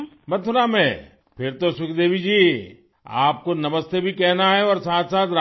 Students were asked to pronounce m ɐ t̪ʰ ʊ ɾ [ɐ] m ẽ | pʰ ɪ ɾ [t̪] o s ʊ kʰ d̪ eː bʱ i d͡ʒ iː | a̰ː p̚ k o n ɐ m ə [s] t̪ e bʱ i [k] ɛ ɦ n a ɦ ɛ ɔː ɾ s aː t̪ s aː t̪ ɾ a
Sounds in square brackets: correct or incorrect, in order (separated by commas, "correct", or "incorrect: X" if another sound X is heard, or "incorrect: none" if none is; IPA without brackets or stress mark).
incorrect: a, correct, correct, correct